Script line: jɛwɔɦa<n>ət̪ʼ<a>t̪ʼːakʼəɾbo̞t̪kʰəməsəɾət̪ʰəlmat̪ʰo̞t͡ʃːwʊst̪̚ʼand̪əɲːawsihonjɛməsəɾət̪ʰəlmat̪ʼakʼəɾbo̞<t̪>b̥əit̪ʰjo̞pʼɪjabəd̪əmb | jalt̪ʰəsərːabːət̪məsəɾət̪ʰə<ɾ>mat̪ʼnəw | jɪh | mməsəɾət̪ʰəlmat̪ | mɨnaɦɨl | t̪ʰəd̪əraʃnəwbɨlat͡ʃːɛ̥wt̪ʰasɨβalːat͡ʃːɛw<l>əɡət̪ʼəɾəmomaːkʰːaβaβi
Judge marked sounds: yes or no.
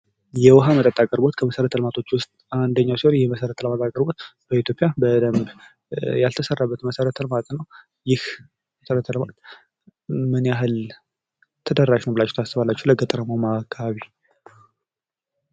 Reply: no, no, yes, no, yes

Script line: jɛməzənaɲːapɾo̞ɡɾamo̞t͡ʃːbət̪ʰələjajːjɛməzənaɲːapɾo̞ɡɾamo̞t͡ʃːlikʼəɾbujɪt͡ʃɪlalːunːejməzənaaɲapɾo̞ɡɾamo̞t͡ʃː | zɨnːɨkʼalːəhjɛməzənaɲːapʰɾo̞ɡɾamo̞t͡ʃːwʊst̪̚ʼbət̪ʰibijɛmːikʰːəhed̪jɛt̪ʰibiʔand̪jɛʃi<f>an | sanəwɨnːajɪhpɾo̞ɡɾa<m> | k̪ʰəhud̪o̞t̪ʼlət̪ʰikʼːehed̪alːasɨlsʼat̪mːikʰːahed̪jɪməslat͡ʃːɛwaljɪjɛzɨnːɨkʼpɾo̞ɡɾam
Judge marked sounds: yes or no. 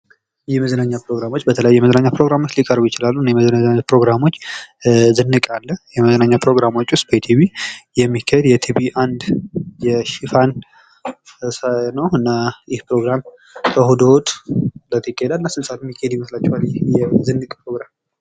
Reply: yes, yes

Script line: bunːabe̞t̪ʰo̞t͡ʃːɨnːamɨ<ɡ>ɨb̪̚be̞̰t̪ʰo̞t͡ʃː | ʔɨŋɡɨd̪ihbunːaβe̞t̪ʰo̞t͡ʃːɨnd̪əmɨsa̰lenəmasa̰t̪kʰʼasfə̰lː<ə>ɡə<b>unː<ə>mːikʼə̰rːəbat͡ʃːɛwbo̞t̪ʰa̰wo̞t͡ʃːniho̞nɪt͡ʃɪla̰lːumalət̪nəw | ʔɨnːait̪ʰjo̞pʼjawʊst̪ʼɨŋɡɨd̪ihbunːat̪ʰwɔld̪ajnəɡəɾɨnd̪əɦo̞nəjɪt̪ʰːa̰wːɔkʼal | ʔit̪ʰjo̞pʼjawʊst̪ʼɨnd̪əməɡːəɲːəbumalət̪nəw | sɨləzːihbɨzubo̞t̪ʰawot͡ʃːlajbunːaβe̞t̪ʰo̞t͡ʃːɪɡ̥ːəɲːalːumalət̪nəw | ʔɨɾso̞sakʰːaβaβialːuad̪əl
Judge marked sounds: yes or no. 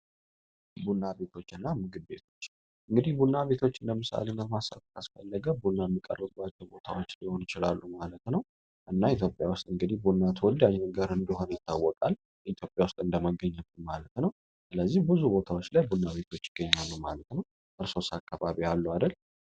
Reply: yes, yes, yes, no

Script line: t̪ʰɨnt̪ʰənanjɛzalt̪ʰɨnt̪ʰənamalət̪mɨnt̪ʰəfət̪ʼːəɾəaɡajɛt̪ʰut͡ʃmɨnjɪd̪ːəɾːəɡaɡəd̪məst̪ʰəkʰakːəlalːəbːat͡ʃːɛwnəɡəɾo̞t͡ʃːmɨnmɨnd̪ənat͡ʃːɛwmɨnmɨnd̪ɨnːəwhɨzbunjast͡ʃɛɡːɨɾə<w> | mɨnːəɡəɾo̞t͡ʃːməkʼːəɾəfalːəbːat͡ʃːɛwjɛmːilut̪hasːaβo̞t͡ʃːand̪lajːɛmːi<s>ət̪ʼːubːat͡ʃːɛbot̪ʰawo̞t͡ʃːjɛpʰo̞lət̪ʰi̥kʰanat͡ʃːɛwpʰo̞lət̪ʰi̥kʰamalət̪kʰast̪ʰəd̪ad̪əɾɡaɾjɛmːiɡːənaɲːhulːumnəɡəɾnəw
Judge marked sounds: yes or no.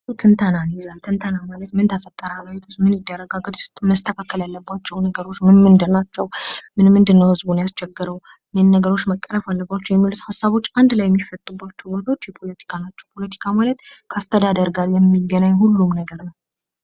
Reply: yes, no

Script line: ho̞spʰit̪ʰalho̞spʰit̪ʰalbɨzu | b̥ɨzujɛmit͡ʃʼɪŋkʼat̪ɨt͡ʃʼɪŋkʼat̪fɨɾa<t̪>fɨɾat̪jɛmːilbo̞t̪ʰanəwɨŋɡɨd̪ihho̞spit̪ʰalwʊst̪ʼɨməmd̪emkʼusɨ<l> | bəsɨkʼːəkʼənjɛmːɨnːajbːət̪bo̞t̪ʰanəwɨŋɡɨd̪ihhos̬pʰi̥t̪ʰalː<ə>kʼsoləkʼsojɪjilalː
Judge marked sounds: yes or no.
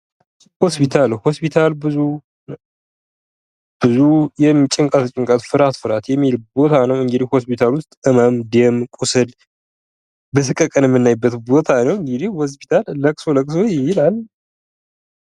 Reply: yes, yes, yes

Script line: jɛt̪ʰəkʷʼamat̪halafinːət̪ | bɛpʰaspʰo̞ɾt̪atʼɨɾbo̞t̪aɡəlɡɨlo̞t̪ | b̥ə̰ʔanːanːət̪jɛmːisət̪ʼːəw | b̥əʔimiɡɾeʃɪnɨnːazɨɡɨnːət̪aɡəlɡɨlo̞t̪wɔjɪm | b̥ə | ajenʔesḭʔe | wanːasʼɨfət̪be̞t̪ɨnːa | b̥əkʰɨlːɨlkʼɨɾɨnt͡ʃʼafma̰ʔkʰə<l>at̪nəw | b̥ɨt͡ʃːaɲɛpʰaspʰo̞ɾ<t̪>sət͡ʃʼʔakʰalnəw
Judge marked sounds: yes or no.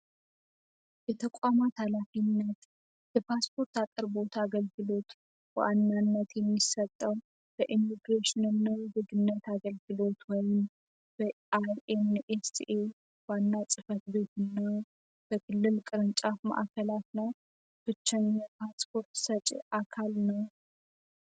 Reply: yes, yes

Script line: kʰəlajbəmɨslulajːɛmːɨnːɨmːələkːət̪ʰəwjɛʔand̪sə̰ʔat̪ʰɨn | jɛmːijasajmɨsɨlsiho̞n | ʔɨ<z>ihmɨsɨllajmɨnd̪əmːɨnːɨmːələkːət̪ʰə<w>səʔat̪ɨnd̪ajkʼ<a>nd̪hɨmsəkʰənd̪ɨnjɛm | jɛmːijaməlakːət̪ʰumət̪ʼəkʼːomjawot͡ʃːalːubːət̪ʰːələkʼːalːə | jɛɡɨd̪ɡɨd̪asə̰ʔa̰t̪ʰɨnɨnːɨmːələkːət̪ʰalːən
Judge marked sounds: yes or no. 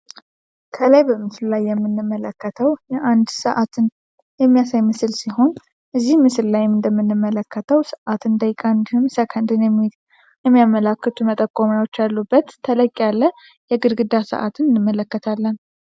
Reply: no, yes, yes

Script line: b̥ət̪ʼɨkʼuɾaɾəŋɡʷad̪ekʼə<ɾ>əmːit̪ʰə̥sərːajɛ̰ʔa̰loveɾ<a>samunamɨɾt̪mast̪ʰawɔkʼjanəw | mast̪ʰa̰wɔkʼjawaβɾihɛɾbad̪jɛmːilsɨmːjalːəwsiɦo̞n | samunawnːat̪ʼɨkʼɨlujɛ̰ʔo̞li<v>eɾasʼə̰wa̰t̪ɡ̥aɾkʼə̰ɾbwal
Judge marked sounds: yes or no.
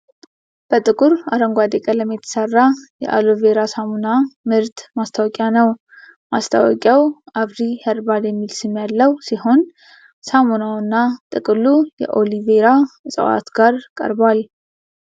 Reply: no, yes, yes

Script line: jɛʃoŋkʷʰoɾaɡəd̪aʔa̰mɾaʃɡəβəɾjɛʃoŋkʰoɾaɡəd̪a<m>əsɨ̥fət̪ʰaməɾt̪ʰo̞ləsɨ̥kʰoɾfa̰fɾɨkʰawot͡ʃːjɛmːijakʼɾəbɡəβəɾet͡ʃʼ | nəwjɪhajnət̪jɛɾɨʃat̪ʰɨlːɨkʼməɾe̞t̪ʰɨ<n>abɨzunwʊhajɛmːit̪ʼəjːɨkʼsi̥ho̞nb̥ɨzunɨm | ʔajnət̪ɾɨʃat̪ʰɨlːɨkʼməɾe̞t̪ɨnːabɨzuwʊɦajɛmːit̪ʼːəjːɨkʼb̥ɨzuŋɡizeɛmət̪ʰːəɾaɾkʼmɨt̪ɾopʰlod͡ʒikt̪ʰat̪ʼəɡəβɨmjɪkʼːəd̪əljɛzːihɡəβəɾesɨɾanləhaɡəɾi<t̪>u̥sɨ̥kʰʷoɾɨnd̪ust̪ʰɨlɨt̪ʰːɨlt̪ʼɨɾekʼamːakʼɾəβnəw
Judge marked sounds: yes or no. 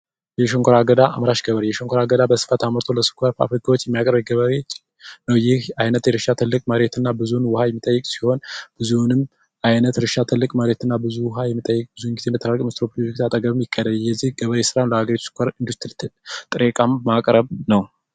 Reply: no, no, yes

